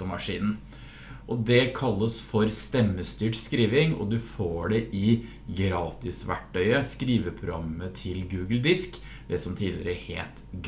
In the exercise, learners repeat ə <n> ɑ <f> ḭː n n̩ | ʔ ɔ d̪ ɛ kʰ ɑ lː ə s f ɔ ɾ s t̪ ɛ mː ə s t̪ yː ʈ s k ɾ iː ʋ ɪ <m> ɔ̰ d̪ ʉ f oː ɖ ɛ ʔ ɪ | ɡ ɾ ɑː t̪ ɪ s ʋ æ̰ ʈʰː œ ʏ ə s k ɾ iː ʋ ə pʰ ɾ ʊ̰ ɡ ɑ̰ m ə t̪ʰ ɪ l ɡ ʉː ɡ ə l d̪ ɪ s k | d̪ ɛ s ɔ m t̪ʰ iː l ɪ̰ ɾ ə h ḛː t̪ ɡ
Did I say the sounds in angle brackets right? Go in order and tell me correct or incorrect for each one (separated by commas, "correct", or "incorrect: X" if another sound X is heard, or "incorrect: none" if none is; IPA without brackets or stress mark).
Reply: incorrect: m, incorrect: ʂ, incorrect: ŋ